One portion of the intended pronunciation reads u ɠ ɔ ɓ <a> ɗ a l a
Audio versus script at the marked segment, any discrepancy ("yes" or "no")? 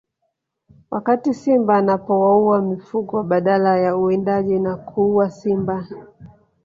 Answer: no